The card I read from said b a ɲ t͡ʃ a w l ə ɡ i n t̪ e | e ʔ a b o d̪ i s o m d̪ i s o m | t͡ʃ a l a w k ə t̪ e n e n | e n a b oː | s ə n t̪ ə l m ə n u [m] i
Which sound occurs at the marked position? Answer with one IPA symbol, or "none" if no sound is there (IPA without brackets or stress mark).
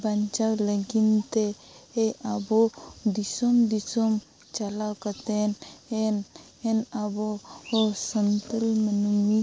m